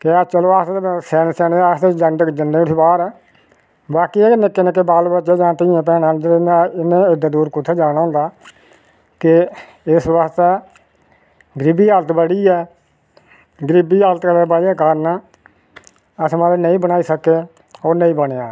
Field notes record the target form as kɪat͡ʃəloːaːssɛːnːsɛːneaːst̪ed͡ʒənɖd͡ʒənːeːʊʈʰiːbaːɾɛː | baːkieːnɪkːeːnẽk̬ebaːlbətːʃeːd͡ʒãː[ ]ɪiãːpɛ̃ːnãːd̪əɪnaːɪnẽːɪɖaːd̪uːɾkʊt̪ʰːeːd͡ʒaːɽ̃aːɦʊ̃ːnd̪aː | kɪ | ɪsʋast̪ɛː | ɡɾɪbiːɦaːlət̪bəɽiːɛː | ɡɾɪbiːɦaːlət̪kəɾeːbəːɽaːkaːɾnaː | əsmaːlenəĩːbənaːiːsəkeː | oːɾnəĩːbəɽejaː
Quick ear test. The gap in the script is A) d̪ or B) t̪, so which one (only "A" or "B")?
B